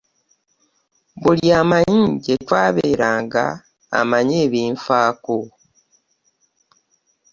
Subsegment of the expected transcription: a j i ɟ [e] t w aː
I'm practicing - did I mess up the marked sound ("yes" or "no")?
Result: no